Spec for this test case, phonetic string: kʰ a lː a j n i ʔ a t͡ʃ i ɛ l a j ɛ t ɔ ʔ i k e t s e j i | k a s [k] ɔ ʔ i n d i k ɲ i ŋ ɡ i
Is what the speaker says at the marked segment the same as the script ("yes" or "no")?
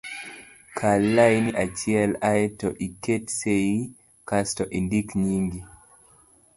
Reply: no